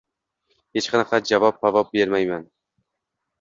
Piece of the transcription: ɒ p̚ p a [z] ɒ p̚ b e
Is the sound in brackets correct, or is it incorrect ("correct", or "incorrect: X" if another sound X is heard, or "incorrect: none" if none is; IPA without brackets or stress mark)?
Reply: incorrect: v